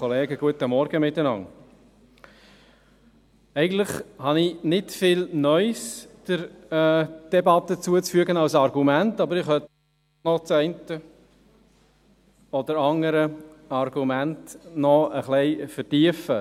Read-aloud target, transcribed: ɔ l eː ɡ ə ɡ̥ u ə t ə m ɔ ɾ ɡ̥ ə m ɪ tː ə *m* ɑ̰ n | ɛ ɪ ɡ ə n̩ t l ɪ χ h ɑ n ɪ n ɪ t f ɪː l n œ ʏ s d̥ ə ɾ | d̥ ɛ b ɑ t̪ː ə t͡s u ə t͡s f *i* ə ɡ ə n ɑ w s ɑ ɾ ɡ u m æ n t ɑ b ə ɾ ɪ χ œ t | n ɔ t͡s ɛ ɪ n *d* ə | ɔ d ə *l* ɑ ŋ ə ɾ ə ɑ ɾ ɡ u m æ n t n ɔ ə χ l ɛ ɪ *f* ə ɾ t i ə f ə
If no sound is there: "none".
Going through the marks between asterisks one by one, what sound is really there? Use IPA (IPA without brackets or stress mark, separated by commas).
n, y, t, ɾ, f